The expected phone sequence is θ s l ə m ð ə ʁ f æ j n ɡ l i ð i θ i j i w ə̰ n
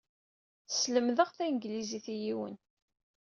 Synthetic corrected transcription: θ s l ə m ð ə ʁ θ æ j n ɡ l i z i θ i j i w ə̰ n